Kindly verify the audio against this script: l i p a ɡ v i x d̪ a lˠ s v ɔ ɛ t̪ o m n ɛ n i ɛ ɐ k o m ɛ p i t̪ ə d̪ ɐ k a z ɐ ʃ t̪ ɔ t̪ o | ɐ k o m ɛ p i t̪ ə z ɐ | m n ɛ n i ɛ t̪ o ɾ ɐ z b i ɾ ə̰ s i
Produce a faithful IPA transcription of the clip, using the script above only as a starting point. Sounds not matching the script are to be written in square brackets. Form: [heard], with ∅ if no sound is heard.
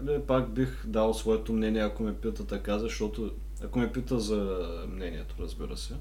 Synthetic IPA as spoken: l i p a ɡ [b] i x d̪ a lˠ s v ɔ ɛ t̪ o m n ɛ n i ɛ ɐ k o m ɛ p i t̪ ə [t̪] ɐ k a z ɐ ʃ t̪ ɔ t̪ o | ɐ k o m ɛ p i t̪ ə z ɐ | m n ɛ n i ɛ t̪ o ɾ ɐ z b i ɾ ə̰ s [ɛ]